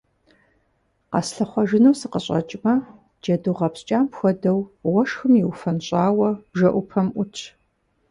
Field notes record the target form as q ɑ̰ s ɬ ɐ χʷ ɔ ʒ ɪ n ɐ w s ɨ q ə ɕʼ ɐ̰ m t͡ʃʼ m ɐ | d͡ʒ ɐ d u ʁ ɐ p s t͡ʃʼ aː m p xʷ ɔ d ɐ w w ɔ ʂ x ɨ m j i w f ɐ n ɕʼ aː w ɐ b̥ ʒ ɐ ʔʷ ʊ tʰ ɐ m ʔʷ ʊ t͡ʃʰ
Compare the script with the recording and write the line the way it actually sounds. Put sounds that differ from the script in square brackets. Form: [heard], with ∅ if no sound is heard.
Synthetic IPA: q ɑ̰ s ɬ ɐ χʷ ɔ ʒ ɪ n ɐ w s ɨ q ə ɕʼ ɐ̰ [∅] t͡ʃʼ m ɐ | d͡ʒ ɐ d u ʁ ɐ p s t͡ʃʼ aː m p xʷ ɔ d ɐ w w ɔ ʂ x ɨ m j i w f ɐ n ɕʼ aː w ɐ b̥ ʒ ɐ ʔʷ ʊ [pʰ] ɐ m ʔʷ ʊ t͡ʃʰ